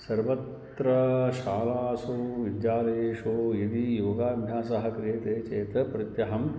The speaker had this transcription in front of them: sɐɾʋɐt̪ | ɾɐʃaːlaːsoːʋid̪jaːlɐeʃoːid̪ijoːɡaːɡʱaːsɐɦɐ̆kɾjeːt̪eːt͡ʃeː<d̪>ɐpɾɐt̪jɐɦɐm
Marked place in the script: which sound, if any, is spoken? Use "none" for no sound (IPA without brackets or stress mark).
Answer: t̪